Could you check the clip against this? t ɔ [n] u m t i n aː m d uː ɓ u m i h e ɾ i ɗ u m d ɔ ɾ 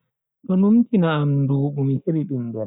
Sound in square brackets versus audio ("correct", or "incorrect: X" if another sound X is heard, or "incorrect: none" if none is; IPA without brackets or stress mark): correct